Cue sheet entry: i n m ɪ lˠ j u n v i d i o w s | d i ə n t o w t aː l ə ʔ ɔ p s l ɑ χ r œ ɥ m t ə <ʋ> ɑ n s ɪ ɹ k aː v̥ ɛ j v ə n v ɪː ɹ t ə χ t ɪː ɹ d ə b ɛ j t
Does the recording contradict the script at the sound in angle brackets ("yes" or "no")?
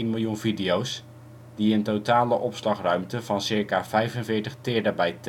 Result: yes